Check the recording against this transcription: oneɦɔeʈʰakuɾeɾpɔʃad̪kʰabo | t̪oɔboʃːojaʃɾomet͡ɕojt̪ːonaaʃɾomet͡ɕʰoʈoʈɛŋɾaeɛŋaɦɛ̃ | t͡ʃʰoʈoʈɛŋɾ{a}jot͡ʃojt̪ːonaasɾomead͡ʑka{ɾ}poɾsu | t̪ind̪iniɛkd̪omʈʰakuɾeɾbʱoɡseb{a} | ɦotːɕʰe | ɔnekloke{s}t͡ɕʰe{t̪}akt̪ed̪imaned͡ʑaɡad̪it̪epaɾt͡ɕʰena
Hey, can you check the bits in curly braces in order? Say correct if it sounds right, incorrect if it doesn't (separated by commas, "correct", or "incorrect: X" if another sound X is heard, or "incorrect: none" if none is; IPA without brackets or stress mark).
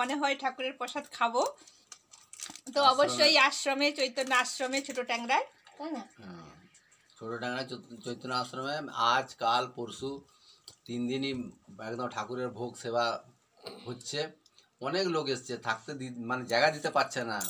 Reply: correct, incorrect: l, correct, correct, incorrect: t̪ʰ